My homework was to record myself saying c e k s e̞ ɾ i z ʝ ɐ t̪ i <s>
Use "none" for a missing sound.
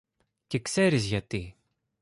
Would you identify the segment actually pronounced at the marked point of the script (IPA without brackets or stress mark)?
none